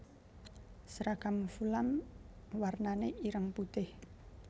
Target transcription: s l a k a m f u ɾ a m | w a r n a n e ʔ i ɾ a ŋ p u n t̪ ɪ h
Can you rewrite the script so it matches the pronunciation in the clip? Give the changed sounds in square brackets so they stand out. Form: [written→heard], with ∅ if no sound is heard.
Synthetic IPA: s [l→ɾ] a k a m f u [ɾ→l] a m | w a r n a n e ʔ i ɾ [a→ə] ŋ p u [n→∅] t̪ ɪ h